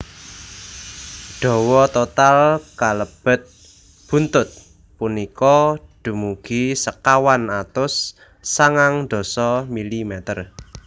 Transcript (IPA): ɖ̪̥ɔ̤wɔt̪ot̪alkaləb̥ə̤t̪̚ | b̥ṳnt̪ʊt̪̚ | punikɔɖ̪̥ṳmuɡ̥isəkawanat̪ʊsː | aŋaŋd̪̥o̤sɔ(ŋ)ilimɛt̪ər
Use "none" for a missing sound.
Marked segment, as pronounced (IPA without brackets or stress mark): m